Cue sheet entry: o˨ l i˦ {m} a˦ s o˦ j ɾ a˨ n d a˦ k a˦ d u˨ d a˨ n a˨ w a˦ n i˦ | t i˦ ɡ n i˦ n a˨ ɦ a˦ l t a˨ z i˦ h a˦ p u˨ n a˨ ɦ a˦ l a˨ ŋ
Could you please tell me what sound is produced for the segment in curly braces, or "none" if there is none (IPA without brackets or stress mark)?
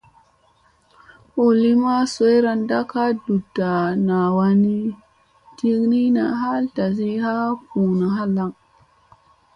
m